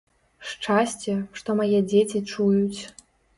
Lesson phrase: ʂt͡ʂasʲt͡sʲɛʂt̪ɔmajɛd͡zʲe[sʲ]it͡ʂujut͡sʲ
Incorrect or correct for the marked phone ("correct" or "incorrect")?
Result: incorrect